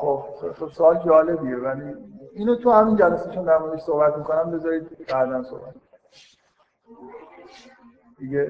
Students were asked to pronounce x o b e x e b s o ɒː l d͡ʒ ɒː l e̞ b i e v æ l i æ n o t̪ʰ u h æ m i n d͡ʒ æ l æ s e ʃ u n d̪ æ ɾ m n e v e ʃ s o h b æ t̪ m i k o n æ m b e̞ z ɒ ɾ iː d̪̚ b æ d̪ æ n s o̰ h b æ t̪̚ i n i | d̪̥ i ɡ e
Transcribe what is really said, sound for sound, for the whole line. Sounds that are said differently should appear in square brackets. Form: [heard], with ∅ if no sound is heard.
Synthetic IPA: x o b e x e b s o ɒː l d͡ʒ ɒː l e̞ b i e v æ l i [i] n o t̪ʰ u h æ m i n d͡ʒ æ l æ s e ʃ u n d̪ æ ɾ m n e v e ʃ s o h b æ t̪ m i k o n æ m b e̞ z ɒ ɾ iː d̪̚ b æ d̪ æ n s o̰ h b æ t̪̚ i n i | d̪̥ i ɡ e